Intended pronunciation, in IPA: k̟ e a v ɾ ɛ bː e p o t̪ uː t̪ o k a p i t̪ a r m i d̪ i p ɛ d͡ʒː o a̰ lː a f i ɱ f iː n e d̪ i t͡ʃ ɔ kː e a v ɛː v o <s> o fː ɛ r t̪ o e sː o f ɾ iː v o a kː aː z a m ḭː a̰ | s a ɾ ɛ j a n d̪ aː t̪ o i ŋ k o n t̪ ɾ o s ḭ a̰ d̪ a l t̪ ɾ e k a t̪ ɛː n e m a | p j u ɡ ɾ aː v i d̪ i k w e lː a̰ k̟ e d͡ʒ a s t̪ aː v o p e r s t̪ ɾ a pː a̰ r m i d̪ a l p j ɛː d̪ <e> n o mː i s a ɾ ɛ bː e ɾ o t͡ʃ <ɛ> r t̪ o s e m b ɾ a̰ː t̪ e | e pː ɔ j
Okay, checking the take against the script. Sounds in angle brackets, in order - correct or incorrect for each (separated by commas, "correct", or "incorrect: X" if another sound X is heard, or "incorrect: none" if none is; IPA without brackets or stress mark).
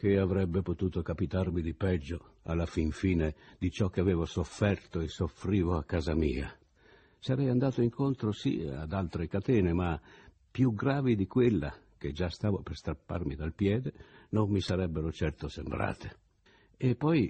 correct, correct, correct